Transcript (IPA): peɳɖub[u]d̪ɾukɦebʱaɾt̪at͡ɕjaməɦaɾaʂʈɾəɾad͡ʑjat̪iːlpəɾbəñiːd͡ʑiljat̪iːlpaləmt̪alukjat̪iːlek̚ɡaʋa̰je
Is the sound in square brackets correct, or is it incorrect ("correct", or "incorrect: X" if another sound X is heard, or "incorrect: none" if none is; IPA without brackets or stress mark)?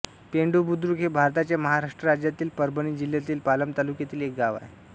correct